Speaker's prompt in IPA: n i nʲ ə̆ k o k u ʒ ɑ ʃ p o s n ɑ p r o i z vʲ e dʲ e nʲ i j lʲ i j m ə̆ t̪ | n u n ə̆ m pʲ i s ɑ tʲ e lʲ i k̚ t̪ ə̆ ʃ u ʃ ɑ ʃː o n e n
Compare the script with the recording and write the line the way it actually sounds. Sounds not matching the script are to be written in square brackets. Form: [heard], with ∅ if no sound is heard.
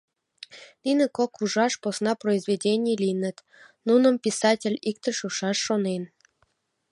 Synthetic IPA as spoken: n i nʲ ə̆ k o k u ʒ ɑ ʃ p o s n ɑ p r o i z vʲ e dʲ e nʲ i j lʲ i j [n] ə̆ t̪ | n u n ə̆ m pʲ i s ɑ tʲ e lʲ i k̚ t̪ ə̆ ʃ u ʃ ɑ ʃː o n e n